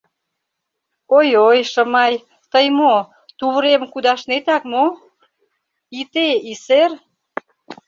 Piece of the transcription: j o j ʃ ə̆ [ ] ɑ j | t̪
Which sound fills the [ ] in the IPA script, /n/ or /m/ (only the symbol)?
m